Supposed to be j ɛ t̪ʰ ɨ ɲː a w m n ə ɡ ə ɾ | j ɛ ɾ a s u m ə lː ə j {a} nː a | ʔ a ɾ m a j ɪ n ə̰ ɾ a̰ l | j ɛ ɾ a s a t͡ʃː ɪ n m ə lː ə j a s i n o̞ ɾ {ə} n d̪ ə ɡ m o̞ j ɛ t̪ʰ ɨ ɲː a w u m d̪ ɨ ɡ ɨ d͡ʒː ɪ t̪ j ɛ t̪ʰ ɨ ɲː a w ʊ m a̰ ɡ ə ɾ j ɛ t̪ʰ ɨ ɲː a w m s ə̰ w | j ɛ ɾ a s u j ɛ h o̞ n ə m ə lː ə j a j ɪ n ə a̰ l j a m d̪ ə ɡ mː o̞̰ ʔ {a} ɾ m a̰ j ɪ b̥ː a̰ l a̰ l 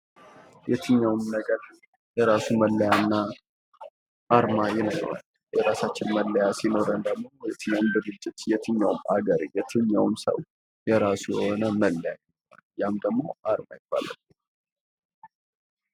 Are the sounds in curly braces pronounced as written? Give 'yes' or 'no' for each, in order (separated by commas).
yes, yes, yes